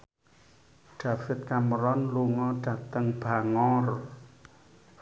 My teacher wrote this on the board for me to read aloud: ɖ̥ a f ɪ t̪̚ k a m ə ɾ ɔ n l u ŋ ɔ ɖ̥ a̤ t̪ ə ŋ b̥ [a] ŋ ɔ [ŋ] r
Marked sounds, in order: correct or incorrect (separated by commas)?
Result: correct, incorrect